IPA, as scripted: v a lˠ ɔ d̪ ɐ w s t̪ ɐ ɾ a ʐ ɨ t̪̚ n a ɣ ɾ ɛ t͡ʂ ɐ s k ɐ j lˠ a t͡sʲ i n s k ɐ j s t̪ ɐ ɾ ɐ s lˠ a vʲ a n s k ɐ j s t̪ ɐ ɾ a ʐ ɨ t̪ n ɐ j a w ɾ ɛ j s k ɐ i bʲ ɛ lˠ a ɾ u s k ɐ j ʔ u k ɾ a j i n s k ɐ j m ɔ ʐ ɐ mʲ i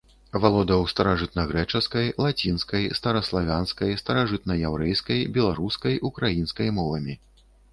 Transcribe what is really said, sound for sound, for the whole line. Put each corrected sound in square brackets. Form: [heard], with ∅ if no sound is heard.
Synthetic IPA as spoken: v a lˠ ɔ d̪ ɐ w s t̪ ɐ ɾ a ʐ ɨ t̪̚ n [ɐ] ɣ ɾ ɛ t͡ʂ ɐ s k ɐ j lˠ a t͡sʲ i n s k ɐ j s t̪ ɐ ɾ ɐ s lˠ a vʲ a n s k ɐ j s t̪ ɐ ɾ a ʐ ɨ t̪ n ɐ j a w ɾ ɛ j s k ɐ [j] bʲ ɛ lˠ a ɾ u s k ɐ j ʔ u k ɾ a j i n s k ɐ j m ɔ [v] ɐ mʲ i